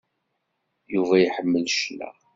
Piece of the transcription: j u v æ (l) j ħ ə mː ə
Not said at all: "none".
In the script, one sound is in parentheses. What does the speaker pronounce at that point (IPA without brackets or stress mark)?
none